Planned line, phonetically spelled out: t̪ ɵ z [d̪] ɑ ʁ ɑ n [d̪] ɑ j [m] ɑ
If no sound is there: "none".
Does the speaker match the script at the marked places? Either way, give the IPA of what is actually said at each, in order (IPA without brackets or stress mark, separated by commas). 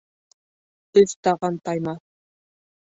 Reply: t̪, t̪, m